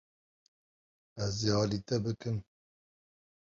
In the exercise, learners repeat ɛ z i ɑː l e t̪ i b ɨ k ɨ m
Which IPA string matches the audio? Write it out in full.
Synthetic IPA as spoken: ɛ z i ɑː l i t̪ ɛ b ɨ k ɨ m